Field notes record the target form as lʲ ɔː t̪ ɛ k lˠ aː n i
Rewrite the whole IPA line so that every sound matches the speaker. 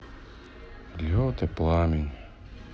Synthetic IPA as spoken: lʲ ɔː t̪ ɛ p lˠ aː m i